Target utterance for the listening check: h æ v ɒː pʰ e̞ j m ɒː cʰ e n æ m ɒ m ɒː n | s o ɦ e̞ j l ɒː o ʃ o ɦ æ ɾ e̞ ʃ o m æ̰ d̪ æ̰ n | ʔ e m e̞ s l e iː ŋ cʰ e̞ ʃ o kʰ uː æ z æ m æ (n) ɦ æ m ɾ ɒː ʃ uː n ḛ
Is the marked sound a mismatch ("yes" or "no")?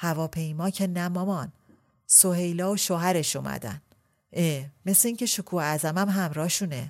yes